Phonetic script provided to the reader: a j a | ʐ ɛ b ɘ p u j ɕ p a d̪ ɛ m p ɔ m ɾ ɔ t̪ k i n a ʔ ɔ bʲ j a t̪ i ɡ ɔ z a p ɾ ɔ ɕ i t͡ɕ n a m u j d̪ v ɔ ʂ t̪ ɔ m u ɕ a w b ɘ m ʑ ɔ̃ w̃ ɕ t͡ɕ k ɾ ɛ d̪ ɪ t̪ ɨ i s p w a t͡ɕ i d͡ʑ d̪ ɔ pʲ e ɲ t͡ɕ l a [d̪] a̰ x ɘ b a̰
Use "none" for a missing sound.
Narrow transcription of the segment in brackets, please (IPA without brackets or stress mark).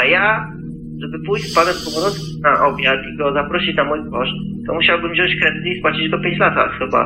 t̪